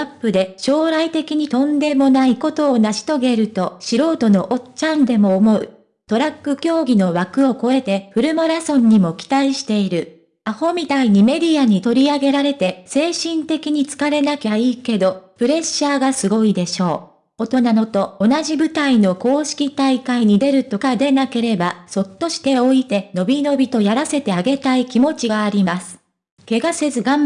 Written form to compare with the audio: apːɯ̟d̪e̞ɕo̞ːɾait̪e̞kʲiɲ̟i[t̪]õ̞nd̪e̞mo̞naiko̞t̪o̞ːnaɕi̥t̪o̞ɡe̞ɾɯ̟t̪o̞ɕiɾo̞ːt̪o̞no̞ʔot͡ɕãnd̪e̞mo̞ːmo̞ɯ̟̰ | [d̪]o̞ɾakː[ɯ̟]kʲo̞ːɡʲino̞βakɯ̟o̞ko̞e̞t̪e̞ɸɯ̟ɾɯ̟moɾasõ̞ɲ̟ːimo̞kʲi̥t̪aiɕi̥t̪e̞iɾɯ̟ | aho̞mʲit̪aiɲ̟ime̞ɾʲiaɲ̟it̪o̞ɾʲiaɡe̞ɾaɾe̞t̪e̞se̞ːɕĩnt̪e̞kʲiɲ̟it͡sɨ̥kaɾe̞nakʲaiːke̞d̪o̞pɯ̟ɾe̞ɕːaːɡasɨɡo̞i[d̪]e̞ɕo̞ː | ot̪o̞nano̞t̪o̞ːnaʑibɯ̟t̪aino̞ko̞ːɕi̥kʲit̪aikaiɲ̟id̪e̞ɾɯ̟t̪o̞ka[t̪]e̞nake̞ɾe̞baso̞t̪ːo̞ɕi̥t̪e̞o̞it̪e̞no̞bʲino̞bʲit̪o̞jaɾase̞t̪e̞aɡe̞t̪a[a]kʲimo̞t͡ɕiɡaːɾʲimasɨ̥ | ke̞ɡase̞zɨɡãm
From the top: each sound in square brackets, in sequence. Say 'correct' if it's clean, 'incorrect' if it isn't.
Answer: correct, incorrect, correct, correct, incorrect, incorrect

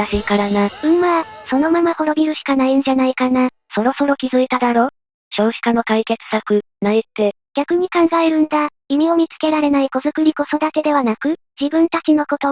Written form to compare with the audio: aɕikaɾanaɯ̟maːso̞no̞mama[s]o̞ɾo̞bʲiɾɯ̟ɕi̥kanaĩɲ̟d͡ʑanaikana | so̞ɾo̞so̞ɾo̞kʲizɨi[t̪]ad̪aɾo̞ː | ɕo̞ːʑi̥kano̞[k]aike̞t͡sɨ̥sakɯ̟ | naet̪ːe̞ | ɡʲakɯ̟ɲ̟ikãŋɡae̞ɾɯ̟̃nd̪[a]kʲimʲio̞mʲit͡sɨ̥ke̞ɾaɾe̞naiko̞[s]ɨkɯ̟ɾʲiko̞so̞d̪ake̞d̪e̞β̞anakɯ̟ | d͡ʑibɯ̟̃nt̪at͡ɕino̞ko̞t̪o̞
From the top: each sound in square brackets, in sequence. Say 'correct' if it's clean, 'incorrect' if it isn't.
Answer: incorrect, correct, correct, correct, incorrect

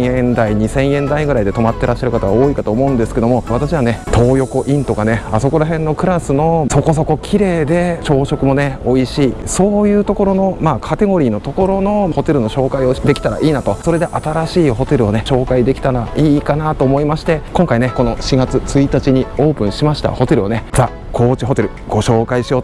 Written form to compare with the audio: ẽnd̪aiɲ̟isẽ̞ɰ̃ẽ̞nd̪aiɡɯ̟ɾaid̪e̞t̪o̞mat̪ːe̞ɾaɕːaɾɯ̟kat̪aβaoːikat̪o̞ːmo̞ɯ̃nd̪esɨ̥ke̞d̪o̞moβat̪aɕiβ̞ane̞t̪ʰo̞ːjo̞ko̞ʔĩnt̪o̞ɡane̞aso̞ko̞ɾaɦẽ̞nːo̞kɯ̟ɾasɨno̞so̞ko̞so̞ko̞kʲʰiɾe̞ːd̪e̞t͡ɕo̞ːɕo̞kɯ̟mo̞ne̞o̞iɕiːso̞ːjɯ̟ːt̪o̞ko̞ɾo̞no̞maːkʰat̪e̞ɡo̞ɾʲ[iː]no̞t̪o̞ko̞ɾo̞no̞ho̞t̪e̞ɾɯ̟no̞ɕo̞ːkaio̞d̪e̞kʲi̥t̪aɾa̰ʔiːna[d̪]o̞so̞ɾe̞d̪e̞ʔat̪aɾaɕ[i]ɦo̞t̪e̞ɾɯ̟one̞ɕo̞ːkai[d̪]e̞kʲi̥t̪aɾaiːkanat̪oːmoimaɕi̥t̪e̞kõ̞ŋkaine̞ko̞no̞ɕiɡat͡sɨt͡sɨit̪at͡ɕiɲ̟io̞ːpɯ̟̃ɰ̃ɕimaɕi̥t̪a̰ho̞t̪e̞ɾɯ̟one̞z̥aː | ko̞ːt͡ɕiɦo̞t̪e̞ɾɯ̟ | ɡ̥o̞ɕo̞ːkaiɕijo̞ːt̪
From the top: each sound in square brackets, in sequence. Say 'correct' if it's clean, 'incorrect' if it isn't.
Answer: correct, incorrect, incorrect, correct

